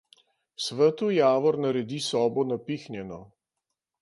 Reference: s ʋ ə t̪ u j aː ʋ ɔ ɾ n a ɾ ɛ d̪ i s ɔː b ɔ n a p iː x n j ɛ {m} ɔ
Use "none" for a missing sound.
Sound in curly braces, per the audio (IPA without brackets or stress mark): n